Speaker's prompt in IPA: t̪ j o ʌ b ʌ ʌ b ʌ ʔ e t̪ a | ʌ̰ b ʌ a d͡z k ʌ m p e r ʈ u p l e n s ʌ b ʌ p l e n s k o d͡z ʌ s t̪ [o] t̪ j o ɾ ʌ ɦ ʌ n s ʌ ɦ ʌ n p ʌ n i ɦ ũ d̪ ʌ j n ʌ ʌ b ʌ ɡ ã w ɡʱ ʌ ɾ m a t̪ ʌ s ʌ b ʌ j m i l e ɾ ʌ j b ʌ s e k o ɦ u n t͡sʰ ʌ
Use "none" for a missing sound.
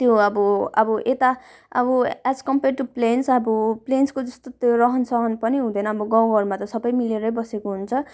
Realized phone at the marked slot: o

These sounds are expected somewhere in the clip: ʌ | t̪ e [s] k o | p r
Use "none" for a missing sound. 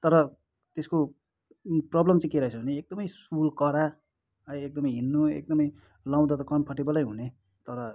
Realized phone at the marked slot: s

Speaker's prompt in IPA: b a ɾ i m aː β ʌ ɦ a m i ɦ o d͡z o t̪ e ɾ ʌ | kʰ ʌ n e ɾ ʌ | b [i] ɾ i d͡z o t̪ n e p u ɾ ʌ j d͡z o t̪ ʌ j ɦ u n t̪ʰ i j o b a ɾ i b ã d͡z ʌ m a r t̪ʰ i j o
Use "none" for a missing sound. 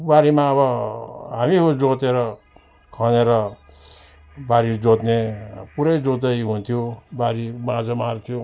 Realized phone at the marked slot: a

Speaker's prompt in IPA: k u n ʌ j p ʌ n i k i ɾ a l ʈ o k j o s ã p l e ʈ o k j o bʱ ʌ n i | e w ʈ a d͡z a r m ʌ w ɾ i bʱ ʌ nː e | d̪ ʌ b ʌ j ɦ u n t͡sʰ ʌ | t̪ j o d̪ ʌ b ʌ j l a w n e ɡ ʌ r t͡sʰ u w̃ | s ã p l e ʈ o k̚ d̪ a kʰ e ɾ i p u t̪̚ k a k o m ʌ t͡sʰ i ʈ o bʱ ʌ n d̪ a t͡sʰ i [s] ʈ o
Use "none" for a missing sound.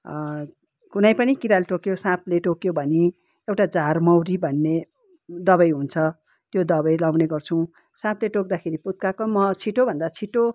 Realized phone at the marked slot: none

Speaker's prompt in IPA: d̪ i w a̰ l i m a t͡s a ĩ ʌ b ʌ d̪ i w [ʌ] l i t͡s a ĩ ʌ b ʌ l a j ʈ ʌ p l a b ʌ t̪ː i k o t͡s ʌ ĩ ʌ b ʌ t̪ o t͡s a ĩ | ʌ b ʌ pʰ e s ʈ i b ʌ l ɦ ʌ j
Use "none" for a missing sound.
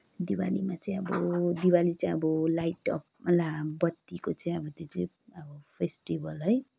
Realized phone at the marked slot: a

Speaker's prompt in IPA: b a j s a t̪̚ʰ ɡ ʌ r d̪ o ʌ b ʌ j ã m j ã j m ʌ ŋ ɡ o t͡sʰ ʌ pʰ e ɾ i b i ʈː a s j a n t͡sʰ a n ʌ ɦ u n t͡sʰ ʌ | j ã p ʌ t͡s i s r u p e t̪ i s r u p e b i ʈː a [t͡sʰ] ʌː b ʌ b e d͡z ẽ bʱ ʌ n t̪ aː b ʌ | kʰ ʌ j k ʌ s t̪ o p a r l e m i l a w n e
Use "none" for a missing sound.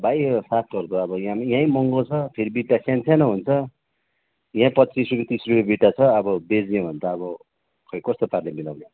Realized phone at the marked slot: t͡sʰ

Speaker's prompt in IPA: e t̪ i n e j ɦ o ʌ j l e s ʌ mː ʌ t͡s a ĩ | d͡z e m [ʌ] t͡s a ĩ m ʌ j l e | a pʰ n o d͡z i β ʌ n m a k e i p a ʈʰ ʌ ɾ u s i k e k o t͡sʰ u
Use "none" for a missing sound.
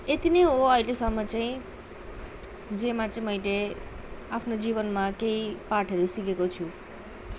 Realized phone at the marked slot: a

